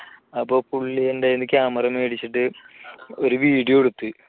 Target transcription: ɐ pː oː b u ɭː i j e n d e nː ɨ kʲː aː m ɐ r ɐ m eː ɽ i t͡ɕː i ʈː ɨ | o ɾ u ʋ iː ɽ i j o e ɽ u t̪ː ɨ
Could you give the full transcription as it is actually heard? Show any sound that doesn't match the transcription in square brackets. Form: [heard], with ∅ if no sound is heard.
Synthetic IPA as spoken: ɐ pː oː [p] u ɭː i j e n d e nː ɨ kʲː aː m ɐ r ɐ m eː ɽ i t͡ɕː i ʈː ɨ | o ɾ u ʋ iː ɽ i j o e ɽ u t̪ː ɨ